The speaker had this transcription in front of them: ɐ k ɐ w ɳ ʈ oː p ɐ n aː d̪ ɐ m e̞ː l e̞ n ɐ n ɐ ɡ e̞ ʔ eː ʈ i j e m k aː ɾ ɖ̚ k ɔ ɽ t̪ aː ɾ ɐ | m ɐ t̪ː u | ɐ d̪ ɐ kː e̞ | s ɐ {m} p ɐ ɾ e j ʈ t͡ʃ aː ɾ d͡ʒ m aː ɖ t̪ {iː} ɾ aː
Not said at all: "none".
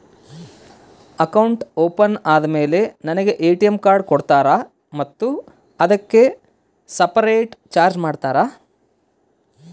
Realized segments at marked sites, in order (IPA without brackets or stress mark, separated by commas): none, aː